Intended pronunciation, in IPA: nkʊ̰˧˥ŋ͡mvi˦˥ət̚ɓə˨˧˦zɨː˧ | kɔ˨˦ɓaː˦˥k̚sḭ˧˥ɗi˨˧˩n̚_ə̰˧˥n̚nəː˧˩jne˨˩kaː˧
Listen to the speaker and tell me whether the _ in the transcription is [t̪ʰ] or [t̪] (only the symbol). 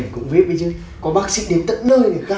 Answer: t̪